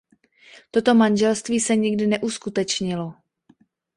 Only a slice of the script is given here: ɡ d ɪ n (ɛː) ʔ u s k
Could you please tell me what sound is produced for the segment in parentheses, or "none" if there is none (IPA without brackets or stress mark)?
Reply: ɛ